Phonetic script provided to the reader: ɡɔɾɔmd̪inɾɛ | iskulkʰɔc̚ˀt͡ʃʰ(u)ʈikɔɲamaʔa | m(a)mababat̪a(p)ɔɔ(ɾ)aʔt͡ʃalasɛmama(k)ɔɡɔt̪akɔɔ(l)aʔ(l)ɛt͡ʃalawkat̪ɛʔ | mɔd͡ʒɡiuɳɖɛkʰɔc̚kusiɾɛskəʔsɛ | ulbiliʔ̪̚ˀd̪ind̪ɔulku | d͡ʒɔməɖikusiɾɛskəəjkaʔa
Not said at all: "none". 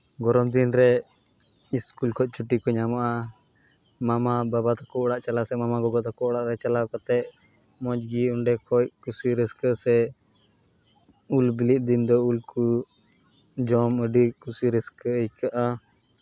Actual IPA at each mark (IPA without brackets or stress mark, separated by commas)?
u, a, k, ɽ, ɡ, ɽ, ɾ